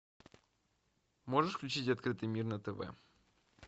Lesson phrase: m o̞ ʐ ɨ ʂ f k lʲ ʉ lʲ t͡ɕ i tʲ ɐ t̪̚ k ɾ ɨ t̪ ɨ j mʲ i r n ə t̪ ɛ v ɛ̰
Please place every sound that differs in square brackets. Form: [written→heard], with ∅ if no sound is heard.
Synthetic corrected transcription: m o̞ ʐ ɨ ʂ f k lʲ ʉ [lʲ→∅] t͡ɕ i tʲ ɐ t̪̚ k ɾ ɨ t̪ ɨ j mʲ i r n ə t̪ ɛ v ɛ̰